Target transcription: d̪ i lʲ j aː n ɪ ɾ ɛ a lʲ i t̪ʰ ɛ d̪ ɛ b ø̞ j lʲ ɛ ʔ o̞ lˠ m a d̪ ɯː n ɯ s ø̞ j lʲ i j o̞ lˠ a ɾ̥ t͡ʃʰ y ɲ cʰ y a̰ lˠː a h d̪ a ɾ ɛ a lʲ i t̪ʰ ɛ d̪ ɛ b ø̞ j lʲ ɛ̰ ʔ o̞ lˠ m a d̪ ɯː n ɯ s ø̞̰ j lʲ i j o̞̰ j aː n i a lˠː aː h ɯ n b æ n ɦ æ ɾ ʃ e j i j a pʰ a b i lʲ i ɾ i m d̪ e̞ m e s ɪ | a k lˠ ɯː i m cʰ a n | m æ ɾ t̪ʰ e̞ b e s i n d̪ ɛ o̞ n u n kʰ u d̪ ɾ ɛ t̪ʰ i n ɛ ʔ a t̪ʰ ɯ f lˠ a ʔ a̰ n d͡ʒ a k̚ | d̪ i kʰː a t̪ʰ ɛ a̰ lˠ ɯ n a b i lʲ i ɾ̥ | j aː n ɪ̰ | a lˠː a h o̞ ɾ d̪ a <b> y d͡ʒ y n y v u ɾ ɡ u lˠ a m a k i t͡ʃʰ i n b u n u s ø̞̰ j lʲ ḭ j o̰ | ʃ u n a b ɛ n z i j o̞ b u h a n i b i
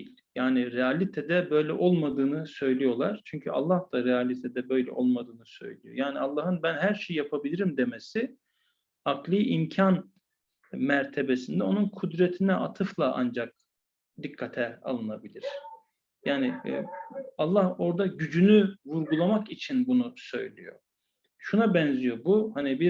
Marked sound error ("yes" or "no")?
yes